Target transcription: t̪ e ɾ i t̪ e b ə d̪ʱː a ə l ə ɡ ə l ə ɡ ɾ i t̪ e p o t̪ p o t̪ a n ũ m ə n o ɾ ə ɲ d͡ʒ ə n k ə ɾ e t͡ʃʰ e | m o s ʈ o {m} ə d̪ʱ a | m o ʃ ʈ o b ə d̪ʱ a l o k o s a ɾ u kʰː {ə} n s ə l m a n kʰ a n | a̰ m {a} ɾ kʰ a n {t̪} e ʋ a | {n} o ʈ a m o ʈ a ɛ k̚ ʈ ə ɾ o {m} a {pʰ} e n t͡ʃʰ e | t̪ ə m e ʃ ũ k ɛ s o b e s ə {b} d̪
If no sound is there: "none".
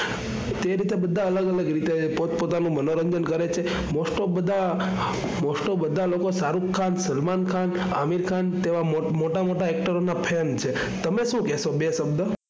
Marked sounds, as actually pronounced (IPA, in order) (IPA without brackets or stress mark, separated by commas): b, a, i, t̪, m, n, pʰ, b